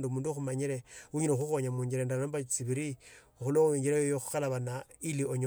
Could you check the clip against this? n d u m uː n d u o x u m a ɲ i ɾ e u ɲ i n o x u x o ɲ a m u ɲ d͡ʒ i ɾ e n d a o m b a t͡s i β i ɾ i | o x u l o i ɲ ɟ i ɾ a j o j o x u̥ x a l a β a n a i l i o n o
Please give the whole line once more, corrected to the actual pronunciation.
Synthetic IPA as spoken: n d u m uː n d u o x u m a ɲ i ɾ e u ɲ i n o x u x o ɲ a m u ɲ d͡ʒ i ɾ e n d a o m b a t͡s i β i ɾ i | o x u l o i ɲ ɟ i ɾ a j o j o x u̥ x a l a β a n a i l i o ɲ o